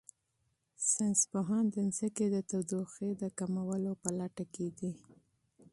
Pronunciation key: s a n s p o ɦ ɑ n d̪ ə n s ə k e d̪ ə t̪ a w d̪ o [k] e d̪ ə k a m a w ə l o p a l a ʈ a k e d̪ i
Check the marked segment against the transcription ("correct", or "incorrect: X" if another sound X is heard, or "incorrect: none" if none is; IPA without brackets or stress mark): incorrect: x